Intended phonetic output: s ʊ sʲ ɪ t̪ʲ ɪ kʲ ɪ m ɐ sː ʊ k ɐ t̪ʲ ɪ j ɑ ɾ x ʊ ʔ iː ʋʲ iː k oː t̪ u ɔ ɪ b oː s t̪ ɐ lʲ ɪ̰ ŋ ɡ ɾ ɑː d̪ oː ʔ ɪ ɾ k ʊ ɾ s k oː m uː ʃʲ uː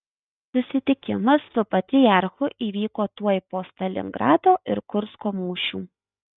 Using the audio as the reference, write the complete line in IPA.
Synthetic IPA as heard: s ʊ sʲ ɪ t̪ʲ ɪ kʲ ɪ m ɐ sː ʊ p ɐ t̪ʲ ɪ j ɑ ɾ x ʊ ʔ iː ʋʲ iː k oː t̪ u ɔ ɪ p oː s t̪ ɐ lʲ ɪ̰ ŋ ɡ ɾ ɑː d̪ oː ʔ ɪ ɾ k ʊ ɾ s k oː m uː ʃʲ uː